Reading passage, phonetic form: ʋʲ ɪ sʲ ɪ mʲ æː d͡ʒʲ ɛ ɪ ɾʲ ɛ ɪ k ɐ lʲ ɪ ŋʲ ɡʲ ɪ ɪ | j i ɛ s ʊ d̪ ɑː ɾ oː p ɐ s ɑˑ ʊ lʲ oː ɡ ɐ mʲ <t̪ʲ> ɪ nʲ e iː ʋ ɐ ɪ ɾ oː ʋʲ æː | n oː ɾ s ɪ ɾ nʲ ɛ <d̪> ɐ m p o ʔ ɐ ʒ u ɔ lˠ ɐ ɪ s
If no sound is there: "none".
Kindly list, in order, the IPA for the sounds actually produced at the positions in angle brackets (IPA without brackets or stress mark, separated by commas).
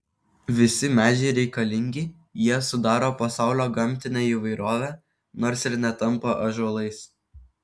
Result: t̪ʲ, t̪